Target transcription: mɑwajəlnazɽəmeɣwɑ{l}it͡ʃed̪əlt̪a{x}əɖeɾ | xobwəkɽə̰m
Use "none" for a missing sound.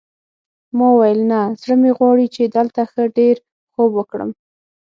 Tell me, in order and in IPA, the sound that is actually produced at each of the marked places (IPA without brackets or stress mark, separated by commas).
ɽ, x